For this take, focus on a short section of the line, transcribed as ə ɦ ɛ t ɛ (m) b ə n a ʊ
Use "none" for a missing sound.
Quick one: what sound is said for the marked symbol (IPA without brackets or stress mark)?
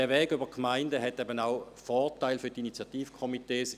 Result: none